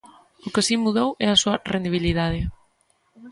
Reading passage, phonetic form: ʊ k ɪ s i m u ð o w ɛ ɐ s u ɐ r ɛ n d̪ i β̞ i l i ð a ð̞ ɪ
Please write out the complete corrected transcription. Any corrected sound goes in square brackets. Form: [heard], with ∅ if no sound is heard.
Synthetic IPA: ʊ k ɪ s i m u ð o w ɛ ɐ s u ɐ r [e] n d̪ i β̞ i l i ð a ð̞ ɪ